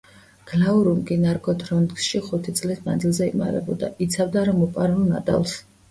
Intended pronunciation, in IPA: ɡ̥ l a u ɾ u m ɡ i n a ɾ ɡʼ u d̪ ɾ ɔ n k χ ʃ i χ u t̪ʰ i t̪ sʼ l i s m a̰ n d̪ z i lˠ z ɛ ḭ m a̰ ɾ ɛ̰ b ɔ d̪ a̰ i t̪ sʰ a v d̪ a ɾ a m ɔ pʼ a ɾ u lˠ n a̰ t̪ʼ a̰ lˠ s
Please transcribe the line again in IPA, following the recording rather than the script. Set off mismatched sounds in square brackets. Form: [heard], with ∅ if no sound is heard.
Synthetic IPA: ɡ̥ l a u ɾ u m ɡ i n a ɾ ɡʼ [ɔ] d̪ ɾ ɔ n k [s] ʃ i χ u t̪ʰ i t̪ sʼ l i s m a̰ n d̪ z i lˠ z ɛ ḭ m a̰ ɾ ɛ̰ b ɔ d̪ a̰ i t̪ sʰ a v d̪ a ɾ a m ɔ pʼ a ɾ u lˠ n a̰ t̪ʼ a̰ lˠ s